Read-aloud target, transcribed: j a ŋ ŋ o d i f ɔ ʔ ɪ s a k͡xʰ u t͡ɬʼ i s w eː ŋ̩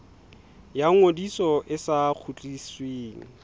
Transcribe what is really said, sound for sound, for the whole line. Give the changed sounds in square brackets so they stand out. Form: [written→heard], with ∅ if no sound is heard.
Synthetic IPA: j a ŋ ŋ o d i [f→s] ɔ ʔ ɪ s a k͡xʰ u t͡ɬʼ i s w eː ŋ̩